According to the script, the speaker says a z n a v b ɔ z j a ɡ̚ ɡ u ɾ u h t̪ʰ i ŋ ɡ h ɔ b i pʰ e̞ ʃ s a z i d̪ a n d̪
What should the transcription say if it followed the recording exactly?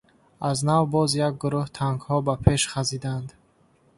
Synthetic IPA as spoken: a z n a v b ɔ z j a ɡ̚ ɡ u ɾ u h t̪ʰ a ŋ ɡ h ɔ b a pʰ e̞ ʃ χ a z i d̪ a n d̪